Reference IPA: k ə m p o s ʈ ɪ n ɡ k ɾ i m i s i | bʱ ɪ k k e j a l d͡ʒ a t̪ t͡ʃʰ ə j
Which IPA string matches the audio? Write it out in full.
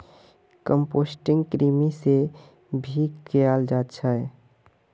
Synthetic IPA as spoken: k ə m p o s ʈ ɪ ŋ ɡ k ɾ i m i s e | bʱ i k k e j a l d͡ʒ a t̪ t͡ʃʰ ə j